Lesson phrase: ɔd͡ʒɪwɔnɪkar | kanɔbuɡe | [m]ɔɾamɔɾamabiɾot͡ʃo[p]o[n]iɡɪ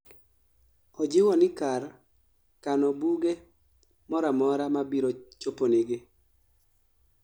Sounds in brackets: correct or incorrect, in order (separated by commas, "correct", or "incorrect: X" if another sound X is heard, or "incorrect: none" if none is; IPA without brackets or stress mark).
correct, correct, correct